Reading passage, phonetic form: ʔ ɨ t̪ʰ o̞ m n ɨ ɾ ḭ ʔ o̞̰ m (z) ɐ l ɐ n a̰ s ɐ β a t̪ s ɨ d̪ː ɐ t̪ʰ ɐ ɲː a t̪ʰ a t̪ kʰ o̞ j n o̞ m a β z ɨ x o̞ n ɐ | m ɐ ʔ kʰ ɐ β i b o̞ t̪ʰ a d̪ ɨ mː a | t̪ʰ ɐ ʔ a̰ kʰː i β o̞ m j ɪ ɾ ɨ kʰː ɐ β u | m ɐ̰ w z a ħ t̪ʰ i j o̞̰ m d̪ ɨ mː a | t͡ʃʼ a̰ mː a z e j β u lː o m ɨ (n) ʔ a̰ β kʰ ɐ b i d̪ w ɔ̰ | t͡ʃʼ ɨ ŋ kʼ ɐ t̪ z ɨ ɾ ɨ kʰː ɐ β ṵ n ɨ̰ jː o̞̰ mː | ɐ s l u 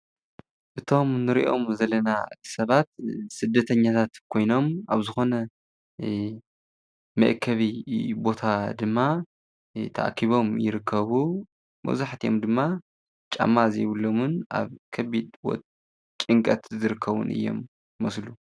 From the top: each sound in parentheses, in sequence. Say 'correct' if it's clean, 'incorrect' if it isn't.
correct, correct

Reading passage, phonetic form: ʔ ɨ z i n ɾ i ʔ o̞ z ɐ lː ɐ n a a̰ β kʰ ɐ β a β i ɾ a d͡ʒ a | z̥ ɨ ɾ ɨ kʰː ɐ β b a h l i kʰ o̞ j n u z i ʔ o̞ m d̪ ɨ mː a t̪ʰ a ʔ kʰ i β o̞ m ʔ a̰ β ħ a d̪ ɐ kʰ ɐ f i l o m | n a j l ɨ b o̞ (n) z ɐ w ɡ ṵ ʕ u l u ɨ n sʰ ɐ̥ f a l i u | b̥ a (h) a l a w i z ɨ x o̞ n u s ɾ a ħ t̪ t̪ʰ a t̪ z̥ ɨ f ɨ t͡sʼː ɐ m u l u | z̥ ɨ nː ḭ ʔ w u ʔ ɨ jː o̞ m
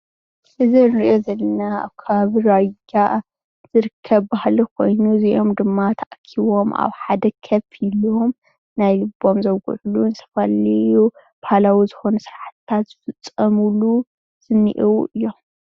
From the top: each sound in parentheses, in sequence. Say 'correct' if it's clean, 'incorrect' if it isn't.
incorrect, correct

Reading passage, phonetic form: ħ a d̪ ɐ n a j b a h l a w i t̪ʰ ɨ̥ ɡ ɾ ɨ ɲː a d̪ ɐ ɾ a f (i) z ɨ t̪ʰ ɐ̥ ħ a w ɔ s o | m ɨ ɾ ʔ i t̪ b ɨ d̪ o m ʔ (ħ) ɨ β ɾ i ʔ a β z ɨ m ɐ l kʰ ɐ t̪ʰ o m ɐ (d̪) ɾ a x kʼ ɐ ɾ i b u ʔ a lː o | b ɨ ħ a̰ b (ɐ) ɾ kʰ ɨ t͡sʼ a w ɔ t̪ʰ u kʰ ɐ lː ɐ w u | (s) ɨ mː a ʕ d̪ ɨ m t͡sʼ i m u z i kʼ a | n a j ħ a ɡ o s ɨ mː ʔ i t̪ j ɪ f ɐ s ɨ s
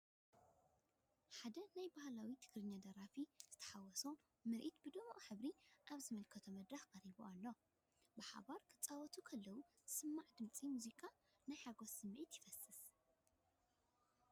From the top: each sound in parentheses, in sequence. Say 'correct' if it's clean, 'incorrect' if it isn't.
correct, correct, correct, incorrect, correct

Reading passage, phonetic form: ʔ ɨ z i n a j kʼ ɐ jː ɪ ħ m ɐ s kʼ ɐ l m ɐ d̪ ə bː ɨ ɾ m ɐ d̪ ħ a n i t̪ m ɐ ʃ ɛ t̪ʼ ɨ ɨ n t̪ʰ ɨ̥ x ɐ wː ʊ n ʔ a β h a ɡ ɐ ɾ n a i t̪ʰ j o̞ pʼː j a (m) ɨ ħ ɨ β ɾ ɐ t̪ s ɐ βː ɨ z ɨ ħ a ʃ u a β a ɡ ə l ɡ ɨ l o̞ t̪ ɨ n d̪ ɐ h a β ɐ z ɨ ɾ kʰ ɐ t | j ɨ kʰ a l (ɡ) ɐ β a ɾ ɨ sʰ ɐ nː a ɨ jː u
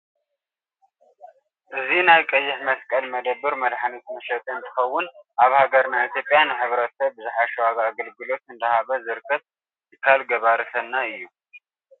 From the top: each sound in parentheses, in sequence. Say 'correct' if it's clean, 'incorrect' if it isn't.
incorrect, correct

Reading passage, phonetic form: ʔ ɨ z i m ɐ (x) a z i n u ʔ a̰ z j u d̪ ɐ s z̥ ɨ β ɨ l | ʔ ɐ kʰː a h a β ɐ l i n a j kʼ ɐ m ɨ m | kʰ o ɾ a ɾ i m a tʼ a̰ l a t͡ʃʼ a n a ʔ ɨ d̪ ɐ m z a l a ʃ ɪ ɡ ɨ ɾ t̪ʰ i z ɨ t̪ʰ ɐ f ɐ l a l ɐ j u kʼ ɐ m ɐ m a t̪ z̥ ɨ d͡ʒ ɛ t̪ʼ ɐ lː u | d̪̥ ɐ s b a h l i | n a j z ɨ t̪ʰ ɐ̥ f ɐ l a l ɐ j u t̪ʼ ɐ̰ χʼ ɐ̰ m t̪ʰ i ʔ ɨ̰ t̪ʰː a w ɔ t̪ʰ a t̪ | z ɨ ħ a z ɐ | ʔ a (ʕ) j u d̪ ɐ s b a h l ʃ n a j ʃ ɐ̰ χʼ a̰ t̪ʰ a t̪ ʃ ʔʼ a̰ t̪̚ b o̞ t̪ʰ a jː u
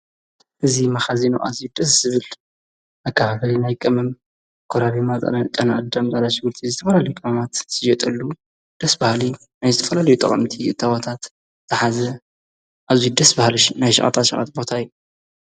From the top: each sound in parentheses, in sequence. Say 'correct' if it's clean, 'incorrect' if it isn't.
correct, incorrect

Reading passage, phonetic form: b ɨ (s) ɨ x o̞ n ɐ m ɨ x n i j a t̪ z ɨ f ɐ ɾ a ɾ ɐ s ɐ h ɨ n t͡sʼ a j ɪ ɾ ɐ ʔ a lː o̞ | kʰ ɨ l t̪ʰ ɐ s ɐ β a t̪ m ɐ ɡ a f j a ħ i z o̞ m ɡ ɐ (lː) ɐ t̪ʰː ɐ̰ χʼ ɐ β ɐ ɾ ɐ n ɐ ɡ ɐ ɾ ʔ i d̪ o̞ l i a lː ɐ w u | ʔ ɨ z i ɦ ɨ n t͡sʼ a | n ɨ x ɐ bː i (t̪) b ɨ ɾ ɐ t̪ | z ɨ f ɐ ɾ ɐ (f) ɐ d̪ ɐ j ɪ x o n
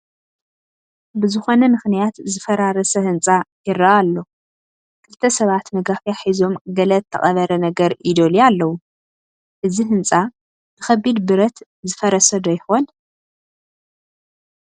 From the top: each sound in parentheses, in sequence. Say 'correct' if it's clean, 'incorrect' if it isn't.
incorrect, incorrect, incorrect, incorrect

